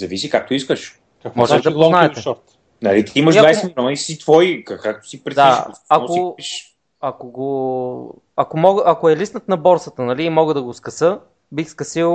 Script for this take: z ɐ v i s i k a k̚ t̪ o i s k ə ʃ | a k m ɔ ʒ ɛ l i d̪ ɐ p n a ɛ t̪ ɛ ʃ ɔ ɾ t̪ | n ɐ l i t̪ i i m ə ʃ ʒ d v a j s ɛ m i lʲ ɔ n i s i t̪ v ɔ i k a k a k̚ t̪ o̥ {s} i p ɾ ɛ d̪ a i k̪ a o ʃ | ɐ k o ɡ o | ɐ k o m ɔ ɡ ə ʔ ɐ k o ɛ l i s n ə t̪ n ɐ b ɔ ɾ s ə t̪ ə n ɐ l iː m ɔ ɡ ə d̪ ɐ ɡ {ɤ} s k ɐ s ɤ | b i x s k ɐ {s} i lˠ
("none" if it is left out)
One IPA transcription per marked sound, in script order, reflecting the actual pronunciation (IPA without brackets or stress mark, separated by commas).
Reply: s, o, s